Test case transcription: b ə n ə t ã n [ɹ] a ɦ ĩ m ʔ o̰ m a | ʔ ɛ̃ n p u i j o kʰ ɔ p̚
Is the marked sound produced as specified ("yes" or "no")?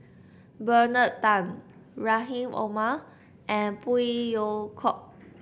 yes